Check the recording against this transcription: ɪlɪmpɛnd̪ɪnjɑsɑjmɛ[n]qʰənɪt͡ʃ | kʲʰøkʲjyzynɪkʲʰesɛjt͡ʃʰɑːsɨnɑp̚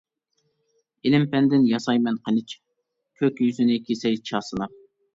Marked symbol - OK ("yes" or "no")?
yes